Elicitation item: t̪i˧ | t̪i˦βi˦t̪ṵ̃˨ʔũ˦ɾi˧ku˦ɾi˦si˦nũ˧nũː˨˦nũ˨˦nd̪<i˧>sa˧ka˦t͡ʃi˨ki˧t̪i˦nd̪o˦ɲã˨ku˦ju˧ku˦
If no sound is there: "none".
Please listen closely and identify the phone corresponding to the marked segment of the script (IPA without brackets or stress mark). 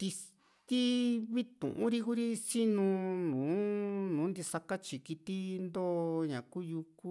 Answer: i˧